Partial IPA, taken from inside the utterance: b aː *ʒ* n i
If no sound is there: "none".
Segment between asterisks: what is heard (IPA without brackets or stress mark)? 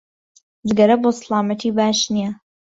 ʃ